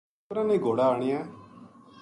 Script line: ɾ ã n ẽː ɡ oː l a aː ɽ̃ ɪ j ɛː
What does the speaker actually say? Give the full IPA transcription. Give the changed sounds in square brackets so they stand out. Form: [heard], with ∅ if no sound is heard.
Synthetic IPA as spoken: ɾ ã n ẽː ɡ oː [ɽ] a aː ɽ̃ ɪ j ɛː